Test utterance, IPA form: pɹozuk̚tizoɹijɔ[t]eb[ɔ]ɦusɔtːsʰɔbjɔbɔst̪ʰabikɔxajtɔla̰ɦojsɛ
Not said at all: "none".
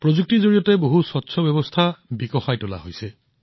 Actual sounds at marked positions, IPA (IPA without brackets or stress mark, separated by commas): t, o